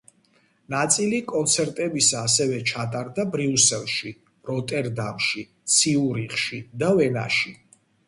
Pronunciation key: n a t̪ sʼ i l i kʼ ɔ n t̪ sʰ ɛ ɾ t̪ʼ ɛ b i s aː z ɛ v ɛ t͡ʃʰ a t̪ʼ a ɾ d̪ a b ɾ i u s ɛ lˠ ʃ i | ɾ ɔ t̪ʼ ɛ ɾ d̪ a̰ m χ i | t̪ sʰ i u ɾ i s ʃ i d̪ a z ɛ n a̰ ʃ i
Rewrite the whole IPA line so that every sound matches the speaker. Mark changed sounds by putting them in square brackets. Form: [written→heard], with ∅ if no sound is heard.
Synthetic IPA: n a t̪ sʼ i l i kʼ ɔ n t̪ sʰ ɛ ɾ t̪ʼ ɛ b i s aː [z→s] ɛ v ɛ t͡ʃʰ a t̪ʼ a ɾ d̪ a b ɾ i u s ɛ lˠ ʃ i | ɾ ɔ t̪ʼ ɛ ɾ d̪ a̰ m [χ→ʃ] i | t̪ sʰ i u ɾ i [s→χ] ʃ i d̪ a [z→v] ɛ n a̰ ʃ i